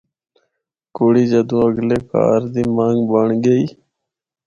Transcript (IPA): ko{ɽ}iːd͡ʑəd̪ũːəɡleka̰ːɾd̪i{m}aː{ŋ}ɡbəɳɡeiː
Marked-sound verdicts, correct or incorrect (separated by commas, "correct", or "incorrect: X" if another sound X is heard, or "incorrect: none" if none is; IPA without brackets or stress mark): correct, correct, correct